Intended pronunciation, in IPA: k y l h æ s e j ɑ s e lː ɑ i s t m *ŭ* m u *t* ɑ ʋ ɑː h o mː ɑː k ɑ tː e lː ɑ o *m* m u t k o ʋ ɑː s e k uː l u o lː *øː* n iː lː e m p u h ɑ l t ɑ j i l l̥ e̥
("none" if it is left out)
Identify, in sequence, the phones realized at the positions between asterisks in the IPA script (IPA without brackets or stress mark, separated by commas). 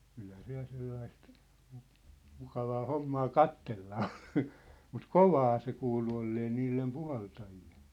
ŭ, k, n, eː